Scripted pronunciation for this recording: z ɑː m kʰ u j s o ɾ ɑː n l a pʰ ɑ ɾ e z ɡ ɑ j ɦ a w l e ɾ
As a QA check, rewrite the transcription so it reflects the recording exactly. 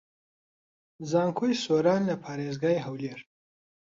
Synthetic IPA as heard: z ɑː ŋ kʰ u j s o ɾ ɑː n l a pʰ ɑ ɾ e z ɡ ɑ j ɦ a w l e ɾ